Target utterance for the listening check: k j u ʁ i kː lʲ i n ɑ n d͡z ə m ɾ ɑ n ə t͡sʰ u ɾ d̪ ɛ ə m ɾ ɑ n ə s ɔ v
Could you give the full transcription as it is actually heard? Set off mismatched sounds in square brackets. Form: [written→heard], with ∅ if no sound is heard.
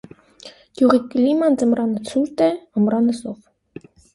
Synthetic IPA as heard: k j u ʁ i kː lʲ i [n→m] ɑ n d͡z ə m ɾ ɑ n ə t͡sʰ u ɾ [d̪→t̪] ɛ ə m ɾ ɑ n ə s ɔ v